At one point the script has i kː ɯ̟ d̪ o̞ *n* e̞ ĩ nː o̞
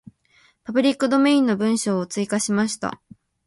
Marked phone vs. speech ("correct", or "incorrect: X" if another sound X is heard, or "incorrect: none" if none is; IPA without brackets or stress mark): incorrect: m